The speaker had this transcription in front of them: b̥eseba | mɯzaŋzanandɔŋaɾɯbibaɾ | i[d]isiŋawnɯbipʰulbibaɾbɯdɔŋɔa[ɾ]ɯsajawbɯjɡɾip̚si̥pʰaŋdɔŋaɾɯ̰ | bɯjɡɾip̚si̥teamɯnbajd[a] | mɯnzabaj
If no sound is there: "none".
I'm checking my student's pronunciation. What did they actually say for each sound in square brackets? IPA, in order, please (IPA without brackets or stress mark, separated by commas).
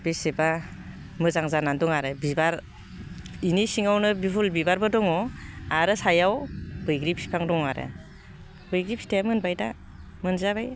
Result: n, ɾ, a